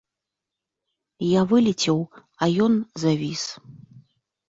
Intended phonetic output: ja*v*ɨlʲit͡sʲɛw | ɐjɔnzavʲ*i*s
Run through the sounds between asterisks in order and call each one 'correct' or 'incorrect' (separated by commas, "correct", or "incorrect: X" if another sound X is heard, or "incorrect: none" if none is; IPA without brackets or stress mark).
correct, correct